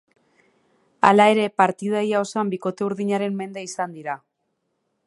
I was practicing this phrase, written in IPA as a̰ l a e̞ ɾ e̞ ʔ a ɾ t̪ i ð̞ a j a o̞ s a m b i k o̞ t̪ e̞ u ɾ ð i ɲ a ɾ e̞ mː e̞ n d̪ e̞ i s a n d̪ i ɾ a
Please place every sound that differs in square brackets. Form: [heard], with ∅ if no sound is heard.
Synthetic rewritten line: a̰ l a e̞ ɾ e̞ [p] a ɾ t̪ i ð̞ a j a o̞ s a m b i k o̞ t̪ e̞ u ɾ ð i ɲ a ɾ e̞ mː e̞ n d̪ e̞ i s a n d̪ i ɾ a